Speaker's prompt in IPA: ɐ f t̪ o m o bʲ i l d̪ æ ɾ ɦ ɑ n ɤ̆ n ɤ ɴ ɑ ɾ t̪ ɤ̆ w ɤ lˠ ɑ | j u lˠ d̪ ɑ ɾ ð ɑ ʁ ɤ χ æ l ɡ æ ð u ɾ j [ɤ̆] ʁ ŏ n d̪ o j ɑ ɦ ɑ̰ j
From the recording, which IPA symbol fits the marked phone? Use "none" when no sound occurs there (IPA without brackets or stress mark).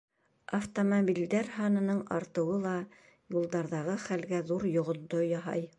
ŏ